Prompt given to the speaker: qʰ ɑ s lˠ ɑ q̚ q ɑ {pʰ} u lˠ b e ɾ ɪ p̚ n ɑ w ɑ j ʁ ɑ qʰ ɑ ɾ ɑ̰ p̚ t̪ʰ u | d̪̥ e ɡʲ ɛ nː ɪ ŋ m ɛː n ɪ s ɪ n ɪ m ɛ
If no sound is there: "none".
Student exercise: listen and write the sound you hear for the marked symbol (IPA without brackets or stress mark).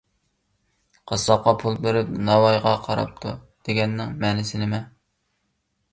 pʰ